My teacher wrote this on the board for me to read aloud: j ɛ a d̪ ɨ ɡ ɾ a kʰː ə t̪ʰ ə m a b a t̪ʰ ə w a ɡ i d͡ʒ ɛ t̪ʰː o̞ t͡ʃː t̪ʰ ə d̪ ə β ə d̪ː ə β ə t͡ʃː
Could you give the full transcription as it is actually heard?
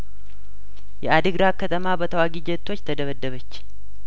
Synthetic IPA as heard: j ɛ a d̪ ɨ ɡ ɾ a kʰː ə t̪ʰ ə m a b ə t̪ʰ ə w a ɡ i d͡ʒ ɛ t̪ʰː o̞ t͡ʃː t̪ʰ ə d̪ ə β ə d̪ː ə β ə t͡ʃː